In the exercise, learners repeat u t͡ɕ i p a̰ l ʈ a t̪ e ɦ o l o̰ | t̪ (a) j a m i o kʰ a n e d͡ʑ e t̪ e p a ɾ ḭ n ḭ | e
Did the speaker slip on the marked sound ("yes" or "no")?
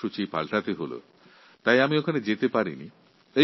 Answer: no